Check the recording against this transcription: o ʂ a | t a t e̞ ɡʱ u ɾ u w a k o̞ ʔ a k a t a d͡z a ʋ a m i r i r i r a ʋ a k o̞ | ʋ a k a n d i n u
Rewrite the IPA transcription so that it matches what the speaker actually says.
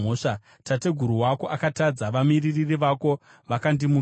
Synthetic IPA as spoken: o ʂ a | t a t e̞ ɡʱ u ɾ u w a k o̞ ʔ a k a t a d͡z a ʋ a m i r i r i r i ʋ a k o̞ | ʋ a k a n d i m u